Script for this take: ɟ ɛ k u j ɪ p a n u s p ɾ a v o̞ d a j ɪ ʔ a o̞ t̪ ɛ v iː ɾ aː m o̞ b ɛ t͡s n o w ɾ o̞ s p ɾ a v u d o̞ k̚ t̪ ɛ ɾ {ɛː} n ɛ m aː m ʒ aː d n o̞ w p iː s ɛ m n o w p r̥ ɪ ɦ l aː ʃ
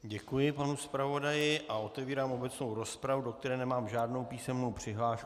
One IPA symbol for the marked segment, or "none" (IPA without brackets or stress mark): ɛː